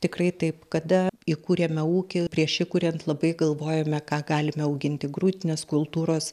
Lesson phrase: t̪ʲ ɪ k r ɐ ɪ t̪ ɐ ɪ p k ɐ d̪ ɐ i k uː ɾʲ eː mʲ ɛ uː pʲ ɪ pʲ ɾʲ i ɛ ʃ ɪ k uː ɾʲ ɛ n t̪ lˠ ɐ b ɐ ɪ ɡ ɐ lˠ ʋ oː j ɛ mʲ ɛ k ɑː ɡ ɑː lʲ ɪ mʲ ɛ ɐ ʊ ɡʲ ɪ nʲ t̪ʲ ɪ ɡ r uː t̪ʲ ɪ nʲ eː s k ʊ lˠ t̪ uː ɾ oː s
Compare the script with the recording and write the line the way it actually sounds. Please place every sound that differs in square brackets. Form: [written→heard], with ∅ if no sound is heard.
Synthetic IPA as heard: t̪ʲ ɪ k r ɐ ɪ t̪ ɐ ɪ p k ɐ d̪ ɐ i k uː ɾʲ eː mʲ ɛ uː [pʲ→kʲ] ɪ pʲ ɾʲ i ɛ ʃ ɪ k uː ɾʲ ɛ n t̪ lˠ ɐ b ɐ ɪ ɡ ɐ lˠ ʋ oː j ɛ mʲ ɛ k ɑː ɡ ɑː lʲ ɪ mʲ ɛ ɐ ʊ ɡʲ ɪ nʲ t̪ʲ ɪ ɡ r uː t̪ʲ ɪ nʲ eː s k ʊ lˠ t̪ uː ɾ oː s